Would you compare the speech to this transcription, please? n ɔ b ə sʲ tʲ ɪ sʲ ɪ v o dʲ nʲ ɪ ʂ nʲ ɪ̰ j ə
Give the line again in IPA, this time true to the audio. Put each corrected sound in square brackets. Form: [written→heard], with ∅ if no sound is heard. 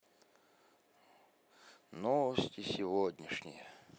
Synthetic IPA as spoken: n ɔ [b→v] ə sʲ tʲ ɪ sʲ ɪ v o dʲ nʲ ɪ ʂ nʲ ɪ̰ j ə